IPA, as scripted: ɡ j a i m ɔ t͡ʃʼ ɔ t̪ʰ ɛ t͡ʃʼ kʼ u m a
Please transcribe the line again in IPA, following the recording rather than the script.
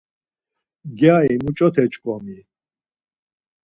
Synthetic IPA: ɡ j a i m u t͡ʃʼ ɔ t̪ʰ ɛ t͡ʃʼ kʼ ɔ m i